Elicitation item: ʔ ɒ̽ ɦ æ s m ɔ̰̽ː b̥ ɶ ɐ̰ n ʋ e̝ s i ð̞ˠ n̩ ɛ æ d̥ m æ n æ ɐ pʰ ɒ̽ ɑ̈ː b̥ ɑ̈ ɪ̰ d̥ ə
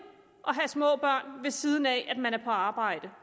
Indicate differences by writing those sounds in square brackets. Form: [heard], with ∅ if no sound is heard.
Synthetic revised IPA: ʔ ɒ̽ ɦ æ s m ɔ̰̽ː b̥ ɶ ɐ̰ n ʋ e̝ s i ð̞ˠ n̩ ɛ æ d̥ m æ n æ ɐ pʰ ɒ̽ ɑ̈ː b̥ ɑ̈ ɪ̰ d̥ ə